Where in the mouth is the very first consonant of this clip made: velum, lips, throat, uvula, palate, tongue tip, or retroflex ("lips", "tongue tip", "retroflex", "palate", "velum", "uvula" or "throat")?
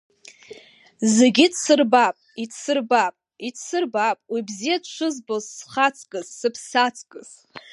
tongue tip